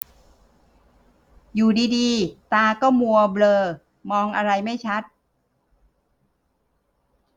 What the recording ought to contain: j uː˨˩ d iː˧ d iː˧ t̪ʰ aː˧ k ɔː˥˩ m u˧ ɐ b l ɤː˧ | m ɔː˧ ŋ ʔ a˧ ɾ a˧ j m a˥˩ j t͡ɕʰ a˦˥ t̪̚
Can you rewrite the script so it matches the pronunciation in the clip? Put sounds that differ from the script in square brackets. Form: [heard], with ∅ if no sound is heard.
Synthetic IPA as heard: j uː˨˩ d iː˧ d iː˧ [t̪] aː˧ k ɔː˥˩ m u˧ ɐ b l ɤː˧ | m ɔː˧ ŋ ʔ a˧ ɾ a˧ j m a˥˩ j t͡ɕʰ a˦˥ t̪̚